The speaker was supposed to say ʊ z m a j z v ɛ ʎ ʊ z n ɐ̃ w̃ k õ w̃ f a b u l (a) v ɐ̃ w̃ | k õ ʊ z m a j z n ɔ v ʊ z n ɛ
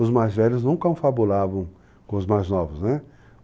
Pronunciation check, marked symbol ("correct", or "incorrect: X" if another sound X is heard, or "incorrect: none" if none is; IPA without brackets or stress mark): correct